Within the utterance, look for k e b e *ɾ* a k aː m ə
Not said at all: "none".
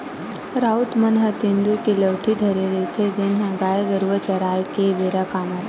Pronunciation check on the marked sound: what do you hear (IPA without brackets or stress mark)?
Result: ɾ